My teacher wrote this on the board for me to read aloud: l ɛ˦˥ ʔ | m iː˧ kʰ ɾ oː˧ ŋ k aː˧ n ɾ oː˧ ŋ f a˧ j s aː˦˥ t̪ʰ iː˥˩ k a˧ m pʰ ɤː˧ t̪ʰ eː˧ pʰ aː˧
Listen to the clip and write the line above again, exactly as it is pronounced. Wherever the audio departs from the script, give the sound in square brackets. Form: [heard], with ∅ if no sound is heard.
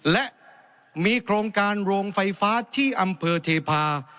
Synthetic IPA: l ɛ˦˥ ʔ | m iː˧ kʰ ɾ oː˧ ŋ k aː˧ n ɾ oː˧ ŋ f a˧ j [f] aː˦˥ t̪ʰ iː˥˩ [ʔ] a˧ m pʰ ɤː˧ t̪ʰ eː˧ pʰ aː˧